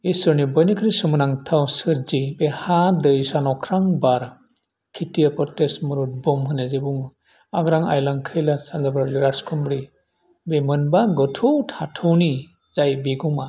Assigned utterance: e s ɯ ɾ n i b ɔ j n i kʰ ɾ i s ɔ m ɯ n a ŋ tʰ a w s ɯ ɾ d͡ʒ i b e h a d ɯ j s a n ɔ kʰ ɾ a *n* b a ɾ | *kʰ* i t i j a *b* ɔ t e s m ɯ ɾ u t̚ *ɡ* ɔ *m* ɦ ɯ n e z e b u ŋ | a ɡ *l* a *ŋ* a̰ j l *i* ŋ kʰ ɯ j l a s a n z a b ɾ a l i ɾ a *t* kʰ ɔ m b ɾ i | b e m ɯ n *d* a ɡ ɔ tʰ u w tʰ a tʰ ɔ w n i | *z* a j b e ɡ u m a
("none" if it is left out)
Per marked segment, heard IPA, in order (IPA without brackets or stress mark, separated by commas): ŋ, kʰ, p, b, m, ɾ, ŋ, a, s, b, z